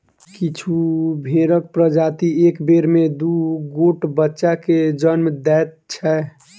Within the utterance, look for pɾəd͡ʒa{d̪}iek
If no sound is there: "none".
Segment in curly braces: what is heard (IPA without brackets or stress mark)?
t̪